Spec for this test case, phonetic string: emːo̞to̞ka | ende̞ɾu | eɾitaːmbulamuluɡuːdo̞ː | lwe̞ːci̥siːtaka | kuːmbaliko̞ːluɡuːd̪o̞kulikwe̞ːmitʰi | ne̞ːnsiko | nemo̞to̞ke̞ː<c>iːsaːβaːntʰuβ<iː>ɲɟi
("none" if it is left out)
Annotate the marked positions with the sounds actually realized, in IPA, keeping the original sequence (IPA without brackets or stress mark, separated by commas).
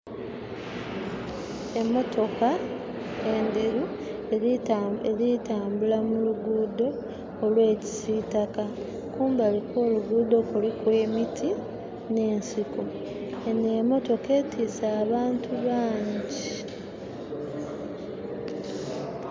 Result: t, aː